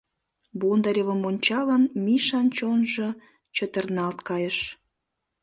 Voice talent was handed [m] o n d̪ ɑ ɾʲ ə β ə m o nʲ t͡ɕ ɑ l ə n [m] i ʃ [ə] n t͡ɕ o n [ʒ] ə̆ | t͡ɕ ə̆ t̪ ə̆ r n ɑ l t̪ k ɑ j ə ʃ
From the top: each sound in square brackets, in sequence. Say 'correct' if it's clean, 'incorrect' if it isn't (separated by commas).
incorrect, correct, incorrect, correct